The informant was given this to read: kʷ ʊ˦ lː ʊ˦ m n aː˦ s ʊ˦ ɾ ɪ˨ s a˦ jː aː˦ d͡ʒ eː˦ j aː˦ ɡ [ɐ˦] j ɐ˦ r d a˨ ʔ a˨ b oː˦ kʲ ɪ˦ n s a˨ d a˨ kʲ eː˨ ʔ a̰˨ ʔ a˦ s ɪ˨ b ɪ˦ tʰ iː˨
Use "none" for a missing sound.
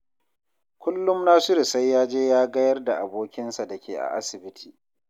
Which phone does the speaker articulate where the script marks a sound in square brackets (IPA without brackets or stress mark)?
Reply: ɐ˦